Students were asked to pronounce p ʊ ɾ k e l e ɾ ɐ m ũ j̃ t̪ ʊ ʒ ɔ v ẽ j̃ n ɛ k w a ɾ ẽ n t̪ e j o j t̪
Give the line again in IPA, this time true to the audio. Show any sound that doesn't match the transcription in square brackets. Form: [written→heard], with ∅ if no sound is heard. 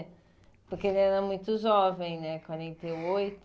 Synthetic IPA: p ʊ ɾ k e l [e→ɛ] ɾ ɐ m ũ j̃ t̪ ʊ ʒ ɔ v ẽ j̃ n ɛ k w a ɾ ẽ n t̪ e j o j t̪